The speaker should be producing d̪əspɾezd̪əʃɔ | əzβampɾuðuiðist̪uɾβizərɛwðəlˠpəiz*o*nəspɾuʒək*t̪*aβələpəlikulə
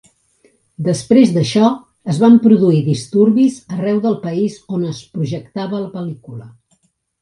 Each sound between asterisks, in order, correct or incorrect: correct, correct

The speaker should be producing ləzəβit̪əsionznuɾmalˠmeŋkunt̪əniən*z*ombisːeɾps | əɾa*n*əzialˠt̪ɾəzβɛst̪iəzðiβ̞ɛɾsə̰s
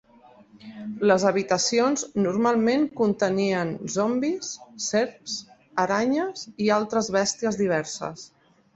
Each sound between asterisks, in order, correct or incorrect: correct, incorrect

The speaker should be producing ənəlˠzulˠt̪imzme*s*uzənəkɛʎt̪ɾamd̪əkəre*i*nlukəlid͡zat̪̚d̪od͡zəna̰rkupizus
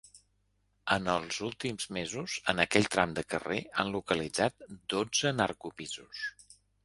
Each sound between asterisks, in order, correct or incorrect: incorrect, incorrect

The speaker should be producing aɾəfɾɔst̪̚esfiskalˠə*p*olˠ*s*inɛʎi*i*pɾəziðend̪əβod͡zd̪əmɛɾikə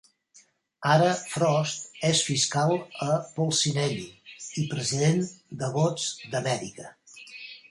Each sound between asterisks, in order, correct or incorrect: correct, correct, correct

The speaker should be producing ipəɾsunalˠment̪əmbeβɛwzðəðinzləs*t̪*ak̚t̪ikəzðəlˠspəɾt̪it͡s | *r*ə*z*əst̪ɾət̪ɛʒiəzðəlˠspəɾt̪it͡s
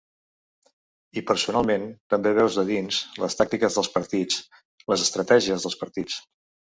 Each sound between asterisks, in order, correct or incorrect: correct, incorrect, correct

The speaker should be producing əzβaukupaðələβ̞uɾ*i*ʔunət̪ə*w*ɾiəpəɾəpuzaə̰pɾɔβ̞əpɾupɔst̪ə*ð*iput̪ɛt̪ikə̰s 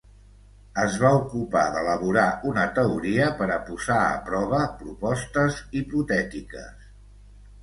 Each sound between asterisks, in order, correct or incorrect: incorrect, incorrect, incorrect

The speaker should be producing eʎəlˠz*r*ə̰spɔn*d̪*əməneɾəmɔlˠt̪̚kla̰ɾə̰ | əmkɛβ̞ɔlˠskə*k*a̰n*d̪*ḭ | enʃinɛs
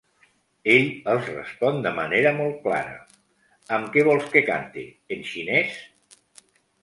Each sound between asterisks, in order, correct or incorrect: correct, correct, correct, incorrect

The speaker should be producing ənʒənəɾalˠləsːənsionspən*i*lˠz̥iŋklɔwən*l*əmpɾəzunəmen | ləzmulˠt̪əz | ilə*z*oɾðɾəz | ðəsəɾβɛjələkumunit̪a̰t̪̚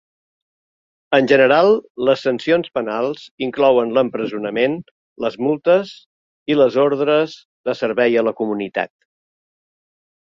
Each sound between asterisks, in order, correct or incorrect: incorrect, correct, correct

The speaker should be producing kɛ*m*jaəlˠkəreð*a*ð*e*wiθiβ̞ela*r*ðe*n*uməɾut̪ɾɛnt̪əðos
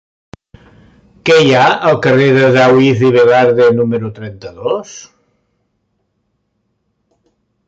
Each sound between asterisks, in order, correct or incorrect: incorrect, incorrect, incorrect, incorrect, correct

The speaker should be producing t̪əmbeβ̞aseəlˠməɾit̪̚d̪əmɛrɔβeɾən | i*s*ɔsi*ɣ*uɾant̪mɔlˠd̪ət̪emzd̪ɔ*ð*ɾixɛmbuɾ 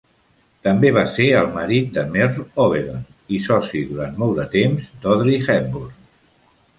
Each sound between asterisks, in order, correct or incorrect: correct, incorrect, correct

